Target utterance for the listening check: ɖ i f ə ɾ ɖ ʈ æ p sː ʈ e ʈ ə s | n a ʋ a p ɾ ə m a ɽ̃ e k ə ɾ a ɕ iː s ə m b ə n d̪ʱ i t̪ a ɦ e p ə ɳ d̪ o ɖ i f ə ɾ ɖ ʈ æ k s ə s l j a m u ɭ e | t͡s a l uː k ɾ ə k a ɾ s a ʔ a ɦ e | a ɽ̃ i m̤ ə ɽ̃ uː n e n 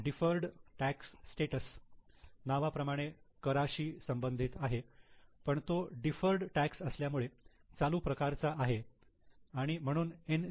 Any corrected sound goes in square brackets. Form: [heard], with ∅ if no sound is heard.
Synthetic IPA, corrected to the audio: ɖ i f ə ɾ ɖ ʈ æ [k] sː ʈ e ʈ ə s | n a ʋ a p ɾ ə m a ɽ̃ e k ə ɾ a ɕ iː s ə m b ə n d̪ʱ i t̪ a ɦ e p ə ɳ [t̪] o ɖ i f ə ɾ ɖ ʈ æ k s ə s l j a m u ɭ e | t͡s a l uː [p] ɾ ə k a ɾ [t͡s] a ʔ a ɦ e | a ɽ̃ i m̤ ə ɽ̃ uː n e n

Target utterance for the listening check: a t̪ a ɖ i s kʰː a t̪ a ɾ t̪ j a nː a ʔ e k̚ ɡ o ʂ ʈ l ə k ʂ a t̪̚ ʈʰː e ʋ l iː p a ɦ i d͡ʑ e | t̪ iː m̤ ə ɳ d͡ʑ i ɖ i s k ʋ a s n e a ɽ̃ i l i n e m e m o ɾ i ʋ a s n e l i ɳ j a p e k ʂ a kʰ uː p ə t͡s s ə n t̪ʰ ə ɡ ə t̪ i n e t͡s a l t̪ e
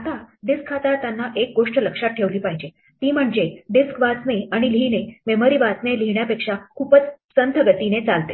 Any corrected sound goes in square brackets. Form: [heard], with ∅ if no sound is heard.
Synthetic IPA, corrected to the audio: a t̪ a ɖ i s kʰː a t̪ a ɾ t̪ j a nː a ʔ e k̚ ɡ o ʂ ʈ l ə k ʂ a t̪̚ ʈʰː e ʋ l iː p a ɦ i d͡ʑ e | t̪ iː m̤ ə ɳ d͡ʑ [e] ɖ i s k ʋ a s n e a ɽ̃ i l i n e m e m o ɾ i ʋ a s n e l i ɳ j a p e k ʂ a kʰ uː p ə t͡s s ə n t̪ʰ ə ɡ ə t̪ i n e t͡s a l t̪ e

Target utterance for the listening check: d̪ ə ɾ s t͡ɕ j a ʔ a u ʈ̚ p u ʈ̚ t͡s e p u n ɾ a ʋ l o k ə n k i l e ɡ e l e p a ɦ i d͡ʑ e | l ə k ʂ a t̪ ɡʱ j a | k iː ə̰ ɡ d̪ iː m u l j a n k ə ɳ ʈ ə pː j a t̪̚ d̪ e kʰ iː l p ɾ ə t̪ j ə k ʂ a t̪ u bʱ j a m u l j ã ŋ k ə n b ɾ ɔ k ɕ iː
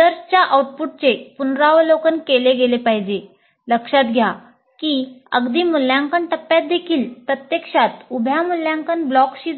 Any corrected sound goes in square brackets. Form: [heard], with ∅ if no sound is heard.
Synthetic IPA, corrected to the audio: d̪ ə ɾ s t͡ɕ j a ʔ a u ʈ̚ p u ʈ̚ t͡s e p u n ɾ a ʋ l o k ə n k [e] l e ɡ e l e p a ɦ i d͡ʑ e | l ə k ʂ a t̪ ɡʱ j a | k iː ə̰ ɡ d̪ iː m u l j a [ŋ] k ə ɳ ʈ ə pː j a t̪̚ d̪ e kʰ iː l p ɾ ə t̪ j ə k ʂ a t̪ u bʱ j a m u l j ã ŋ k ə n b [l] ɔ k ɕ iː

